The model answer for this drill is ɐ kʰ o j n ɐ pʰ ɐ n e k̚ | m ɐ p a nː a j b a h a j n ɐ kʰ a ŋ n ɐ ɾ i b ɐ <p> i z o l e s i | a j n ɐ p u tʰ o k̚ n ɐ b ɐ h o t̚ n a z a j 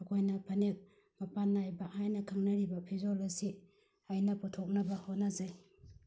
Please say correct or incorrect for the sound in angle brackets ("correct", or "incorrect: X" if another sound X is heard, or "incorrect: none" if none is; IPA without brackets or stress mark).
incorrect: pʰ